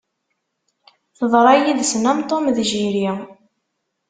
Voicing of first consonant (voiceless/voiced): voiceless